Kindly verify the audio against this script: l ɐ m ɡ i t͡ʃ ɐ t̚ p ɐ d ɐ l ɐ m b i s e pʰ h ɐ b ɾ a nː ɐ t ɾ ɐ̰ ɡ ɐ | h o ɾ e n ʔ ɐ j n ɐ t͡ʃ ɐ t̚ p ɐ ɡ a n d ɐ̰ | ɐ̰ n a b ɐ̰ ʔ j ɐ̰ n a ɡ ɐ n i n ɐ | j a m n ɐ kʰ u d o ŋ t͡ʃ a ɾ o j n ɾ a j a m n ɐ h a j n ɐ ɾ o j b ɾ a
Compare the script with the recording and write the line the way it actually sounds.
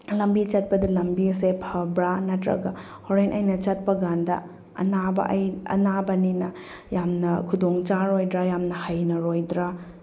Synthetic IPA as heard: l ɐ m b i t͡ʃ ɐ t̚ p ɐ d ɐ l ɐ m b i s e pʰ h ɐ b ɾ a n ɐ t ɾ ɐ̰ ɡ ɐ | h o ɾ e n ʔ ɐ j n ɐ t͡ʃ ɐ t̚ p ɐ ɡ a n d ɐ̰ | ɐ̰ n a b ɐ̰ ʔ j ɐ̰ n a b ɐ n i n ɐ | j a m n ɐ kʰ u d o ŋ t͡ʃ a ɾ o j d ɾ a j a m n ɐ h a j n ɐ ɾ o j d ɾ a